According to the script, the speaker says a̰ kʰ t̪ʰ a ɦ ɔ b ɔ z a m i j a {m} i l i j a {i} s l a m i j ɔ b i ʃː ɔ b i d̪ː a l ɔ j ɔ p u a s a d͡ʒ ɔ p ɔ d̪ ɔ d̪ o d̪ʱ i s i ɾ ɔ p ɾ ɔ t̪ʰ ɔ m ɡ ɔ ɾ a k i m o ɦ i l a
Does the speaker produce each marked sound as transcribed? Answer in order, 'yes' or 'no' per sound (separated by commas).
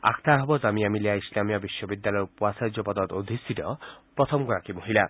yes, yes